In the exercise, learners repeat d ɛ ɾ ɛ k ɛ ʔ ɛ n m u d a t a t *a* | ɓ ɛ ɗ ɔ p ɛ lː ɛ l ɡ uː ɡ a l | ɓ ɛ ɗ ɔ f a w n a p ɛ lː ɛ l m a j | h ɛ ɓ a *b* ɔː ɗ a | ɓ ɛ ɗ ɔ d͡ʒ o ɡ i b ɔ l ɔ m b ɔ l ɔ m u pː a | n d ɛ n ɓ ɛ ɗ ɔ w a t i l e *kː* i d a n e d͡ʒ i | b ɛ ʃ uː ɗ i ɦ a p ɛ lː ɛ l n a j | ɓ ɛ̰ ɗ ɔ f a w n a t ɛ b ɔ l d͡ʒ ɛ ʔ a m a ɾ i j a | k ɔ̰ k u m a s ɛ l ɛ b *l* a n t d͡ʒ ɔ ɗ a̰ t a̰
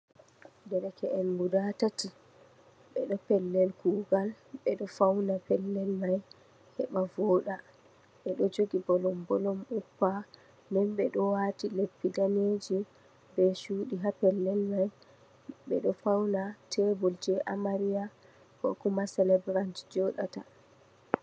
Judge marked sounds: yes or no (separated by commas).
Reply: no, no, no, no